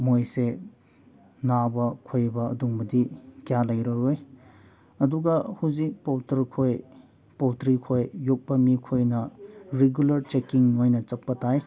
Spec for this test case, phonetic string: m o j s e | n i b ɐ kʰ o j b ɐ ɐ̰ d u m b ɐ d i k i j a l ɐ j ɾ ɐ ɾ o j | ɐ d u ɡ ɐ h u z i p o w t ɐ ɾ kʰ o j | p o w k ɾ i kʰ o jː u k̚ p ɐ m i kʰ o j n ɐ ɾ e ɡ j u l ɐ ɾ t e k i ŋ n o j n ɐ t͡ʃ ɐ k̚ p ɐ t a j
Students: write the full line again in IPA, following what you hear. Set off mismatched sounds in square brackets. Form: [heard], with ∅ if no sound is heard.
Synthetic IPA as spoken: m o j s e | n [a] b ɐ kʰ o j b ɐ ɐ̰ d u [ŋ] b ɐ d i k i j a l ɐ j ɾ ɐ ɾ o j | ɐ d u ɡ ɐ h u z i p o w t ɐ ɾ kʰ o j | p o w [t] ɾ i kʰ o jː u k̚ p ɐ m i kʰ o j n ɐ ɾ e ɡ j u l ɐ ɾ [t͡ʃ] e k i ŋ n o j n ɐ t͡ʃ ɐ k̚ p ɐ t a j

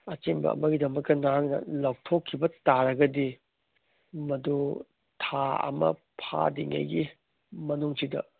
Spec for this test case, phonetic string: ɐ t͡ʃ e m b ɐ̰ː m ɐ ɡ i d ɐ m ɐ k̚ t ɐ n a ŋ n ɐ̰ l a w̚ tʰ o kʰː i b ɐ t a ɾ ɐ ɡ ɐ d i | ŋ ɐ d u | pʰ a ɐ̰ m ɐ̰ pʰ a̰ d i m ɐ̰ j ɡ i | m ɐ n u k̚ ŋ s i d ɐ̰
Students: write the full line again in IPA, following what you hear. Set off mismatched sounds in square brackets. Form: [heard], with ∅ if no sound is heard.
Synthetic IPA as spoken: ɐ t͡ʃ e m b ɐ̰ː m ɐ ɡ i d ɐ m ɐ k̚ t ɐ n a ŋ n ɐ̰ l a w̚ tʰ o kʰː i b ɐ t a ɾ ɐ ɡ ɐ d i | [m] ɐ d u | [tʰ] a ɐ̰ m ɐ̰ pʰ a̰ d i [ŋ] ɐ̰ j ɡ i | m ɐ n u [∅] ŋ s i d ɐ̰

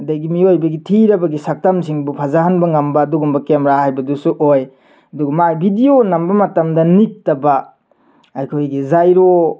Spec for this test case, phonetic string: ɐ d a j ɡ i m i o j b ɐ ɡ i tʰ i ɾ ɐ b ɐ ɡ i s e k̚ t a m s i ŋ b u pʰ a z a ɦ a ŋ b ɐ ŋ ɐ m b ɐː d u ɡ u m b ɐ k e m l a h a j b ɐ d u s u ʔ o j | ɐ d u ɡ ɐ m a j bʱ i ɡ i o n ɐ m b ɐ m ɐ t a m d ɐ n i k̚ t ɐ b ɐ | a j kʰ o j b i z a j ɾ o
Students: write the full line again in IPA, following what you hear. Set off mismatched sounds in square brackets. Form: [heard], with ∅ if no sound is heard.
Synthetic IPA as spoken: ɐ d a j ɡ i m i o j b ɐ ɡ i tʰ i ɾ ɐ b ɐ ɡ i s [a] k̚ t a m s i ŋ b u pʰ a z a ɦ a [n] b ɐ ŋ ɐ m b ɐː d u ɡ u m b ɐ k e m [ɾ] a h a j b ɐ d u s u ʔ o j | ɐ d u ɡ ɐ m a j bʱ i [d] i o n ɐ m b ɐ m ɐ t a m d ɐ n i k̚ t ɐ b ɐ | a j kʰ o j [ɡ] i z a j ɾ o

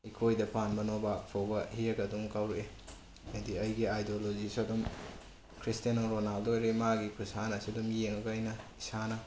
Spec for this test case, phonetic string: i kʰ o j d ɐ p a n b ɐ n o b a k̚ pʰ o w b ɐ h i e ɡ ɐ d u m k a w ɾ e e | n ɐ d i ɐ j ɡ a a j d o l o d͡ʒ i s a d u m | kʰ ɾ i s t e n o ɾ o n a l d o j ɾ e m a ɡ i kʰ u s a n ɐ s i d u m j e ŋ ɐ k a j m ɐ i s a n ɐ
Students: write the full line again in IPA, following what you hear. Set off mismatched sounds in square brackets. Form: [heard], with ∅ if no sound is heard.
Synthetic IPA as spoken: i kʰ o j d ɐ p a n b ɐ n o b a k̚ pʰ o w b ɐ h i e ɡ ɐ d u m k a w ɾ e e | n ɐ d i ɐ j ɡ [i] a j d o l o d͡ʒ i s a d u m | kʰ ɾ i s t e n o ɾ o n a l d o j ɾ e m a ɡ i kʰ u s a n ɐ s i d u m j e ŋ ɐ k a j [n] ɐ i s a n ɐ

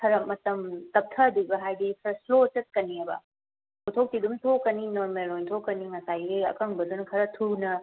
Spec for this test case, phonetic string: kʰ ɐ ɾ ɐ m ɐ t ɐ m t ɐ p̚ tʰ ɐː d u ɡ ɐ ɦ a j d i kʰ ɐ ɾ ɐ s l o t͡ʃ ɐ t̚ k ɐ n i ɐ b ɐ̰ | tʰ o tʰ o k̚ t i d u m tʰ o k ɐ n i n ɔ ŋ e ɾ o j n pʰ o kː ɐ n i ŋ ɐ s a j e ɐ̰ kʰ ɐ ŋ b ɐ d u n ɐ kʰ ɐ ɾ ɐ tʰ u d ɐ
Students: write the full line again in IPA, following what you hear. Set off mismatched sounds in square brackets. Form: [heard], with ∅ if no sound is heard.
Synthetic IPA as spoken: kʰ ɐ ɾ ɐ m ɐ t ɐ m t ɐ p̚ tʰ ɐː d u ɡ ɐ ɦ a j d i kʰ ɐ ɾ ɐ s l o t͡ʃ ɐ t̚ k ɐ n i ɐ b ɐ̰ | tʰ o tʰ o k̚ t i d u m tʰ o k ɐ n i n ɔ [m] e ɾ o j n [tʰ] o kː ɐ n i ŋ ɐ s a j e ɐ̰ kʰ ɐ ŋ b ɐ d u n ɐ kʰ ɐ ɾ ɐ tʰ u [n] ɐ

